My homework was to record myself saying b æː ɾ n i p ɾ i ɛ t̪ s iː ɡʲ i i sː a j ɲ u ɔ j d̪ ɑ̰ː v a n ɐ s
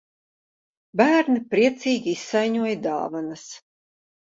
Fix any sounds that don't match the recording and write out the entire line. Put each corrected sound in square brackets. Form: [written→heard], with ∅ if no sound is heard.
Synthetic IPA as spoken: b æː ɾ n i p ɾ i ɛ t̪ s iː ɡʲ i i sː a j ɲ u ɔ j d̪ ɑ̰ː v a n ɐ s

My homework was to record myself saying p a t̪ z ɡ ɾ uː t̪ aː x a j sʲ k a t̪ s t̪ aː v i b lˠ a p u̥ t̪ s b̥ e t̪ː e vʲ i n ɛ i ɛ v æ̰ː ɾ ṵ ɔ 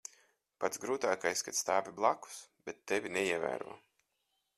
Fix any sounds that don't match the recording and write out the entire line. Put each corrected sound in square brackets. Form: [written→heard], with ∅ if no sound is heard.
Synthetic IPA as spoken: p a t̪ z ɡ ɾ uː t̪ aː [x→k] a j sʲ k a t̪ s t̪ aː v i b lˠ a [p→k] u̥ [t̪→∅] s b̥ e t̪ː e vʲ i n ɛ i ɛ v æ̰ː ɾ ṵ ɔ

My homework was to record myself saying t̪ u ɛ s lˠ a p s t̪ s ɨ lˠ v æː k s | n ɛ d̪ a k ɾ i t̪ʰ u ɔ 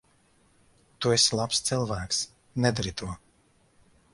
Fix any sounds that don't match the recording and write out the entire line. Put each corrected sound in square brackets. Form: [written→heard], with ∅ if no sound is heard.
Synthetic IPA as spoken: t̪ u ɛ s lˠ a p s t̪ s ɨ lˠ v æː k s | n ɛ d̪ a [k→∅] ɾ i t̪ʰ u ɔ

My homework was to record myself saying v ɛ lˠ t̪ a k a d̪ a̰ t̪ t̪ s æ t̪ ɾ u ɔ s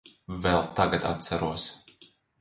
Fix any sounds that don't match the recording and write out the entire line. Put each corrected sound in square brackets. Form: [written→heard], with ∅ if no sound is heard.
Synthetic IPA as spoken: v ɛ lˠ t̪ a [k→ɡ] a [d̪→t̪] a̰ t̪ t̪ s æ [t̪→∅] ɾ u ɔ s

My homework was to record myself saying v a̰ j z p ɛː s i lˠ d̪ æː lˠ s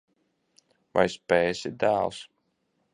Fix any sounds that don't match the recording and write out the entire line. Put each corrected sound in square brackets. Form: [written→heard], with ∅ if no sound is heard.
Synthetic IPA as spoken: v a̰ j [z→s] p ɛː s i [lˠ→∅] d̪ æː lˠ s

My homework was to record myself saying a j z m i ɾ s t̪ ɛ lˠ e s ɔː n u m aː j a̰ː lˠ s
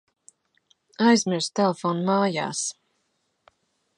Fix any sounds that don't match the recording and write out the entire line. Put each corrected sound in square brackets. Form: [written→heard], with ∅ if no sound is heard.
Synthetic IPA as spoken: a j z m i ɾ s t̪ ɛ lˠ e [s→f] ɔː n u m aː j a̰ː [lˠ→∅] s

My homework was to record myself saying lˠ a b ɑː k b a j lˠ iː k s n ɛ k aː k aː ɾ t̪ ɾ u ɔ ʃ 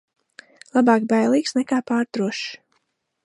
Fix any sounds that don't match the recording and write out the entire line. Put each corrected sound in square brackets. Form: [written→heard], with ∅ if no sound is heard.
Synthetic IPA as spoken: lˠ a b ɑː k b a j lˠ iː k s n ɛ k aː [k→p] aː ɾ t̪ ɾ u ɔ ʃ

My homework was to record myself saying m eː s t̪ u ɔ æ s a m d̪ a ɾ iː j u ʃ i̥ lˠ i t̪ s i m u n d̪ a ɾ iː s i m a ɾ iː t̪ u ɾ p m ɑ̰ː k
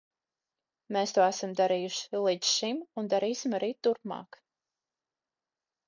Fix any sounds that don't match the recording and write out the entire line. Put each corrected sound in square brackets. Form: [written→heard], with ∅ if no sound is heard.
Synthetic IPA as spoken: m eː s t̪ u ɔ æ s a m d̪ a ɾ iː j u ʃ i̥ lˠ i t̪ [s→ʃ] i m u n d̪ a ɾ iː s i m a ɾ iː t̪ u ɾ p m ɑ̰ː k

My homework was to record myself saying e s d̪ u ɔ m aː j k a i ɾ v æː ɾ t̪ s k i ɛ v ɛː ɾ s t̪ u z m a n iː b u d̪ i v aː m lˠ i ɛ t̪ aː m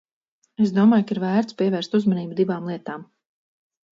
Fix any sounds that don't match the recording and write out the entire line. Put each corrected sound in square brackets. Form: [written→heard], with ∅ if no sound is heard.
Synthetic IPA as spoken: e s d̪ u ɔ m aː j k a i ɾ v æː ɾ t̪ s [k→p] i ɛ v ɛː ɾ s t̪ u z m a n iː b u d̪ i v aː m lˠ i ɛ t̪ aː m

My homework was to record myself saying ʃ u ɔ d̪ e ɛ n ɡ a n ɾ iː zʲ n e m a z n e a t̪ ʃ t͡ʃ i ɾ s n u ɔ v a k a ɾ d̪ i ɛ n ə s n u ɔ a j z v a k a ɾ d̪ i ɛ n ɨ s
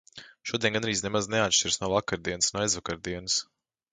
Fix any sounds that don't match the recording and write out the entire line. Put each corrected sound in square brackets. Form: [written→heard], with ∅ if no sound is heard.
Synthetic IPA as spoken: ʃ u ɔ d̪ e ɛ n ɡ a n ɾ iː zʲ n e m a z n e a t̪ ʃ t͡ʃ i ɾ s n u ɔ v a k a ɾ d̪ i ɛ n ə s n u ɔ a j z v a k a ɾ d̪ i ɛ n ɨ s

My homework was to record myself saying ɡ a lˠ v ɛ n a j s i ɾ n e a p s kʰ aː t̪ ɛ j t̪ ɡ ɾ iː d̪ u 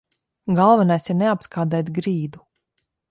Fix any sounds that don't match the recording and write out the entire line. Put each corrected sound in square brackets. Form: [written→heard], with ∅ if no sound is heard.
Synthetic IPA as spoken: ɡ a lˠ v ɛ n a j s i ɾ n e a p s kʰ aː [t̪→d̪] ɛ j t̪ ɡ ɾ iː d̪ u

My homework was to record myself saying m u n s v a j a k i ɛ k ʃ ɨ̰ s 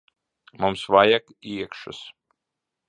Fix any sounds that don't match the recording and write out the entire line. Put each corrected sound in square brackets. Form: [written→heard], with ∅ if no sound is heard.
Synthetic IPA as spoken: m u [n→m] s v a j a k i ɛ k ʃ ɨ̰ s

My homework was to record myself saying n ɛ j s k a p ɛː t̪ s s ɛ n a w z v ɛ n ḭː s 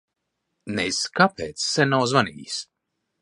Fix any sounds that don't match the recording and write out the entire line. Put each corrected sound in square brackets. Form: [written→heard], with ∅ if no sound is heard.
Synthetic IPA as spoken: n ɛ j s k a p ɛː t̪ s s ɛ n a w z v [ɛ→a] n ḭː s

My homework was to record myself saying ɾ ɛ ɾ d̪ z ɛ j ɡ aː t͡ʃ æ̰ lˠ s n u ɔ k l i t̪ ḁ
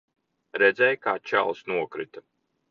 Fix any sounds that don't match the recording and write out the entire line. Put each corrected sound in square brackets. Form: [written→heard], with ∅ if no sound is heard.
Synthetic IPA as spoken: ɾ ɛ [ɾ→∅] d̪ z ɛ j [ɡ→k] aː t͡ʃ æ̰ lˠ s n u ɔ k [l→ɾ] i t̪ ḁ

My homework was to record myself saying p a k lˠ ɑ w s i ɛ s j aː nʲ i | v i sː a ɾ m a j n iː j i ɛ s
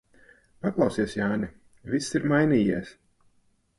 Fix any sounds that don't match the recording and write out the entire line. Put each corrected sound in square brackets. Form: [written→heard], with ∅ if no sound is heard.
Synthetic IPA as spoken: p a k lˠ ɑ w s i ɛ s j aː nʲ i | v i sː [a→i] ɾ m a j n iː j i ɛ s

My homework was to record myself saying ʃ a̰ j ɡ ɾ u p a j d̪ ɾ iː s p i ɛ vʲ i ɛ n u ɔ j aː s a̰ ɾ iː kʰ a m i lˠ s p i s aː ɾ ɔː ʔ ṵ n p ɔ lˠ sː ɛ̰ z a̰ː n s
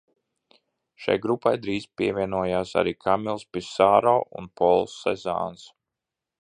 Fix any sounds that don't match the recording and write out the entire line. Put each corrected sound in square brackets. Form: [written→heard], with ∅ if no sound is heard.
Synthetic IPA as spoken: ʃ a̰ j ɡ ɾ u p a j d̪ ɾ iː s p i ɛ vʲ i ɛ n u ɔ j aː s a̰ ɾ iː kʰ a m i lˠ s p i s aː ɾ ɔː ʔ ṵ n p ɔ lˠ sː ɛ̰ z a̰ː n s

